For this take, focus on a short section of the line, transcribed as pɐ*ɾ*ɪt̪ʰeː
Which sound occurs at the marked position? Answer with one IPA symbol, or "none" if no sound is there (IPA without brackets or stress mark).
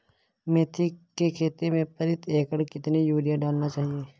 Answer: ɾ